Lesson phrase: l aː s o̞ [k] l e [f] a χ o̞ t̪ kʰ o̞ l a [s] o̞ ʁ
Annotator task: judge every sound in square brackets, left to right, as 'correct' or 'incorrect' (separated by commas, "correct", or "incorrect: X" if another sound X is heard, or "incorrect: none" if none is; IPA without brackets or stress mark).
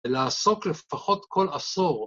correct, correct, correct